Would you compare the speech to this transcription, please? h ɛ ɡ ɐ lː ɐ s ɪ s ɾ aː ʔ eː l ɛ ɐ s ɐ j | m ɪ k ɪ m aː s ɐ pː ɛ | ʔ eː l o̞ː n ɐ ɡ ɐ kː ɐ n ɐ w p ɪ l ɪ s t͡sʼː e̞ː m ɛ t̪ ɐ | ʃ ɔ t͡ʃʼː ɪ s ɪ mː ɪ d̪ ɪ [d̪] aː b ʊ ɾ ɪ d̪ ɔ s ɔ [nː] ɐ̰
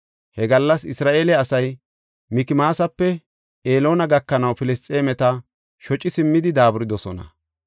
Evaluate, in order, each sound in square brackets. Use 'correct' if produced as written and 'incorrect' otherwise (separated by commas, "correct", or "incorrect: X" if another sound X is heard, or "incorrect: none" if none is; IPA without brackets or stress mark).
correct, incorrect: n